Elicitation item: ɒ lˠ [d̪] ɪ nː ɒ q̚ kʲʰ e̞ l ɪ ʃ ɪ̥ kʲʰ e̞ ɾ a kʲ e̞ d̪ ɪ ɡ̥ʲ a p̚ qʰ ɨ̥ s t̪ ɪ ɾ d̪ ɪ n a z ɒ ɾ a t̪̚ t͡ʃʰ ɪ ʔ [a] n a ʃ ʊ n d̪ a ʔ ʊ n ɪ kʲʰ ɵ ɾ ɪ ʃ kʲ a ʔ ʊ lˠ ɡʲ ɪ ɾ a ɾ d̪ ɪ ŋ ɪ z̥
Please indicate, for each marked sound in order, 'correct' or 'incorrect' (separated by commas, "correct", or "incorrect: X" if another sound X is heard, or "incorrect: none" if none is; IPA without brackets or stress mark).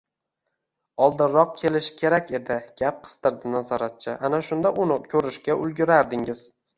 correct, correct